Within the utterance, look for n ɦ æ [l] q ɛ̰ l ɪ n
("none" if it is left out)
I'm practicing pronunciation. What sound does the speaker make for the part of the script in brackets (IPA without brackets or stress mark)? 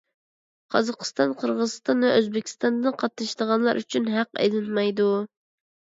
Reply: none